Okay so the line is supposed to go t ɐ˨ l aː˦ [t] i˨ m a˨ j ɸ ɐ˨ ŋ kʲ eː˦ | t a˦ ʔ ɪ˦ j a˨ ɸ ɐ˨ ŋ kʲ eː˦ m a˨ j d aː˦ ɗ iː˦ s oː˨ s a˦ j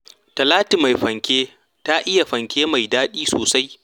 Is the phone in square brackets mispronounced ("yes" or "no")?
no